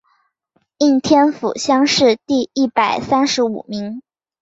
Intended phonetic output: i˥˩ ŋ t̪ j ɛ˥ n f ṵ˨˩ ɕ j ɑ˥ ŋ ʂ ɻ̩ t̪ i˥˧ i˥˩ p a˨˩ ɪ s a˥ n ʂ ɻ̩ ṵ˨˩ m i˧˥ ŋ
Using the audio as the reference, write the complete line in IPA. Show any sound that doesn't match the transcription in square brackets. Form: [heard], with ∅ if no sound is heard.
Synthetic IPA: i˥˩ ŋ [t̪ʰ] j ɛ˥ n f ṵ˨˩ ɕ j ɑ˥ ŋ ʂ ɻ̩ t̪ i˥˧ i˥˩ p a˨˩ ɪ s a˥ n ʂ ɻ̩ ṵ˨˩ m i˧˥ ŋ